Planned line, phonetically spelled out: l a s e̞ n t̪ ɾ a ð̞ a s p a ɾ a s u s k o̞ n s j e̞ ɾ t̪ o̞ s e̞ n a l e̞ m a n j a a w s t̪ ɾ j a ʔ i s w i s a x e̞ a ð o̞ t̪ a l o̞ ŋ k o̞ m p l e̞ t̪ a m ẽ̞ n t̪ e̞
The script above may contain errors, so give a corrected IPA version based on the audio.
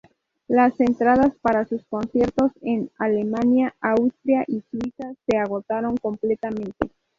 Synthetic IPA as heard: l a s e̞ n t̪ ɾ a ð̞ a s p a ɾ a s u s k o̞ n s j e̞ ɾ t̪ o̞ s e̞ n a l e̞ m a n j a a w s t̪ ɾ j a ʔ i s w i s a s e̞ a ɣ o̞ t̪ a ɾ o̞ ŋ k o̞ m p l e̞ t̪ a m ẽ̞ n t̪ e̞